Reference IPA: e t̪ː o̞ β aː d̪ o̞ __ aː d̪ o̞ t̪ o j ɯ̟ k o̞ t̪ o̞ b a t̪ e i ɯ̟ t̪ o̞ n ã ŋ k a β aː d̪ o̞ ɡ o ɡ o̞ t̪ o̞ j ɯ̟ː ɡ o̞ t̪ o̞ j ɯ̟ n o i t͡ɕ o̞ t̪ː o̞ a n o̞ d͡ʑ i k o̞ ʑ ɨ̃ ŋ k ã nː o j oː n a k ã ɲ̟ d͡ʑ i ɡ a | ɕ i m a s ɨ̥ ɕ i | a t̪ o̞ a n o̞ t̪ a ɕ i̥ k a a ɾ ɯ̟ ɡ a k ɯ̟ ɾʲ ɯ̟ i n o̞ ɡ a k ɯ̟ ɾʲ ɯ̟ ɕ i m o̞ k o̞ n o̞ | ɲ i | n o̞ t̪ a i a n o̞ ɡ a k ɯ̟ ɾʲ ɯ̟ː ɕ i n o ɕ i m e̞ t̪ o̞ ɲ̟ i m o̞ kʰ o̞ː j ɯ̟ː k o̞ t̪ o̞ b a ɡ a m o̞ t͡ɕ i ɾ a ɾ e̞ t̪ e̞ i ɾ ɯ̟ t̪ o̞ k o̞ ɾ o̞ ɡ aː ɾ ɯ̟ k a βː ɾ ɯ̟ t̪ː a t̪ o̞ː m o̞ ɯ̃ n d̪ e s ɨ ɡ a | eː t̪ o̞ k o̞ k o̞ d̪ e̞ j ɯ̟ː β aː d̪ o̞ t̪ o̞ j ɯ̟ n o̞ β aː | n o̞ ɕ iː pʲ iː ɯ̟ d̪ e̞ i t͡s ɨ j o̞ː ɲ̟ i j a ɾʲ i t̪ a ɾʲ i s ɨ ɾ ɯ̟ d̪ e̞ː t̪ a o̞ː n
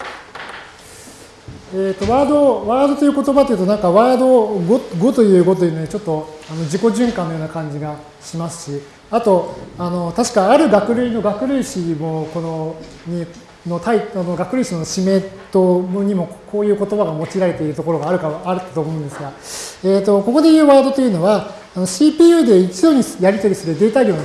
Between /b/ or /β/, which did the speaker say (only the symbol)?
β